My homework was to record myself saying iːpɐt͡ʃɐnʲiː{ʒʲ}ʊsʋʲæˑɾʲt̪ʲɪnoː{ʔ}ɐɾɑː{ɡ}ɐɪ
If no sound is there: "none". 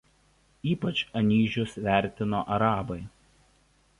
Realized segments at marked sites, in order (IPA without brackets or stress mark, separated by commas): ʒʲ, ʔ, b